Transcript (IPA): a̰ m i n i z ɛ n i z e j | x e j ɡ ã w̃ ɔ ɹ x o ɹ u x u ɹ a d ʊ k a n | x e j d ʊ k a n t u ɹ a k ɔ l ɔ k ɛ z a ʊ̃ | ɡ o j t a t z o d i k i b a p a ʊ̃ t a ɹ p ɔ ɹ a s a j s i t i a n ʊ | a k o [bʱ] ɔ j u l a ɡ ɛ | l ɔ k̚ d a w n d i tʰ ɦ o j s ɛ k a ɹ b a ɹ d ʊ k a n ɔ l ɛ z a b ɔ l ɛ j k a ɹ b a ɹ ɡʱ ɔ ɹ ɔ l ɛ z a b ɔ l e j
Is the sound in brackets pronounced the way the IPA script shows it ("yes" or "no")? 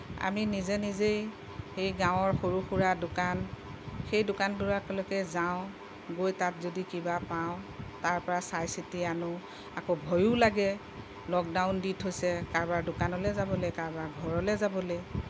yes